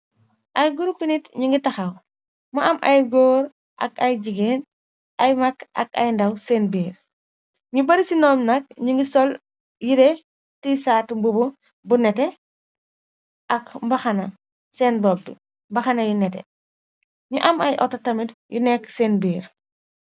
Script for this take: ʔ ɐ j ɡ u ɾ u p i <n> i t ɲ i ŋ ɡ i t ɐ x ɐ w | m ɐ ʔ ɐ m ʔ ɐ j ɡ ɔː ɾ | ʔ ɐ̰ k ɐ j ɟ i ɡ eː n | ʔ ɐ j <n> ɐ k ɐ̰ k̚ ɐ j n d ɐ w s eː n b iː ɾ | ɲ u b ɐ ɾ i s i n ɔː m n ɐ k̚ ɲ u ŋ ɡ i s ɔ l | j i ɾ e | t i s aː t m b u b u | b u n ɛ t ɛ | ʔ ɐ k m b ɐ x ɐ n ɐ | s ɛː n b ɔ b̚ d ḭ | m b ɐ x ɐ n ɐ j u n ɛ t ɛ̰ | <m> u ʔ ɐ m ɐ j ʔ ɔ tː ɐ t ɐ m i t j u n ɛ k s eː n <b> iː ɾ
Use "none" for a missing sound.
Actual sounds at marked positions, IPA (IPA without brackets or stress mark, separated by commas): n, m, ɲ, b